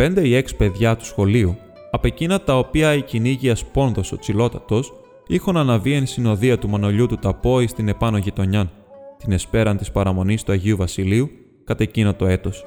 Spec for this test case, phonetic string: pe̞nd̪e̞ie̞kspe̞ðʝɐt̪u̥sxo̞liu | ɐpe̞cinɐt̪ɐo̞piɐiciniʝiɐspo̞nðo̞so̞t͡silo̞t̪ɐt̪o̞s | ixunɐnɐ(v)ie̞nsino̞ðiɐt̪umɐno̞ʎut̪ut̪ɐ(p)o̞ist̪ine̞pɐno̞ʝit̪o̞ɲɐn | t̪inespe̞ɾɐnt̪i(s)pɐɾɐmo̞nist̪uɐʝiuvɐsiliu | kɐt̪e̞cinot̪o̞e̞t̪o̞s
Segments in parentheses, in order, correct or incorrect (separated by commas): correct, correct, correct